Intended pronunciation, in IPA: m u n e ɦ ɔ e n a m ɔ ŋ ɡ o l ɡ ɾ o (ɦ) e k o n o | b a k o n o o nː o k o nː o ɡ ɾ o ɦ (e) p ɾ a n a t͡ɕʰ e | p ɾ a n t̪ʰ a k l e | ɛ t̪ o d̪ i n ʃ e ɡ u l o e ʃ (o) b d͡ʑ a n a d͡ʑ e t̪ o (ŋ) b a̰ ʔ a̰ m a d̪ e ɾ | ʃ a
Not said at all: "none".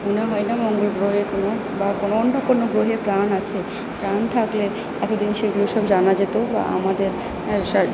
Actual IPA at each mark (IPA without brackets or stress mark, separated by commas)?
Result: ɦ, e, ɔ, none